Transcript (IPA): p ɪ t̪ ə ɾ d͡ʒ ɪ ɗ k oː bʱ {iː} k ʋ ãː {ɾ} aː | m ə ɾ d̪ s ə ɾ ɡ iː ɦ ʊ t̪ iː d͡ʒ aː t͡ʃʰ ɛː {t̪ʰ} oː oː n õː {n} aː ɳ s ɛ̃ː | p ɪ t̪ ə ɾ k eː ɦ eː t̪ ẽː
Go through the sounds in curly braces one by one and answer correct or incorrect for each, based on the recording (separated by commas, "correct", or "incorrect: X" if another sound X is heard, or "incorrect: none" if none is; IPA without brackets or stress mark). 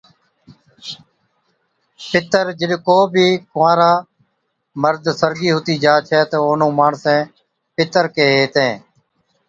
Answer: correct, correct, incorrect: t̪, incorrect: m